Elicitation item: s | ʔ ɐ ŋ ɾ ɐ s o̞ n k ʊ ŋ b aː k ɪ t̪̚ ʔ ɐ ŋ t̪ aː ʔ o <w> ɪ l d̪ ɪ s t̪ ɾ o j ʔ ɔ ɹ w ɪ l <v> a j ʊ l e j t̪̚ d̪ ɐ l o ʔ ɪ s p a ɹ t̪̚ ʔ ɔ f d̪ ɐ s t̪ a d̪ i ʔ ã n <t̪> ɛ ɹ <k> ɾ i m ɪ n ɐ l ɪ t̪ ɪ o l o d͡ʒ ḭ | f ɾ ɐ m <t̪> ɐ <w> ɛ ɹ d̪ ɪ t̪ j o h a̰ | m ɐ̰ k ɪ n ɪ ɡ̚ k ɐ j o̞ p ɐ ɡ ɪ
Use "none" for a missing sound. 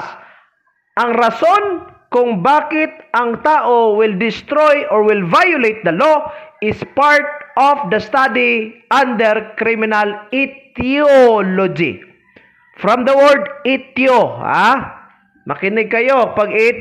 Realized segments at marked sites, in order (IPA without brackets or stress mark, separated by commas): w, v, d̪, k, d̪, w